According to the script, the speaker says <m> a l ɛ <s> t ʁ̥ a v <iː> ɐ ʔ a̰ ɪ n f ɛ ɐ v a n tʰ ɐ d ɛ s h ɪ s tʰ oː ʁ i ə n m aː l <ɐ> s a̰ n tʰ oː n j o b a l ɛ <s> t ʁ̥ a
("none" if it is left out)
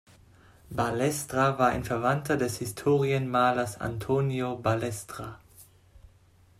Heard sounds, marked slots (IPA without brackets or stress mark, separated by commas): b, s, aː, ɐ, s